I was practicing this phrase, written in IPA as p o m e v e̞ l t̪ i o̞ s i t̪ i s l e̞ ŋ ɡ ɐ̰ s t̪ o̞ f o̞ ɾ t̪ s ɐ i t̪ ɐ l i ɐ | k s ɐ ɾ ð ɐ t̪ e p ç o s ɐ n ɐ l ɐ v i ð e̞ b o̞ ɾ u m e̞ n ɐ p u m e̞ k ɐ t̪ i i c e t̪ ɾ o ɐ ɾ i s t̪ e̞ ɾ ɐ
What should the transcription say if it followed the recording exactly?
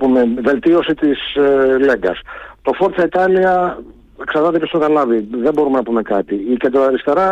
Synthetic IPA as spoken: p u m e v e̞ l t̪ i o̞ s i t̪ i s l e̞ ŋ ɡ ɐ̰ s t̪ o̞ f o̞ ɾ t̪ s ɐ i t̪ ɐ l i ɐ | k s ɐ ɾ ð ɐ t̪ e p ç o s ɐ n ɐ l ɐ v i ð e̞ b o̞ ɾ u m e̞ n ɐ p u m e̞ k ɐ t̪ i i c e d̪ ɾ o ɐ ɾ i s t̪ e̞ ɾ ɐ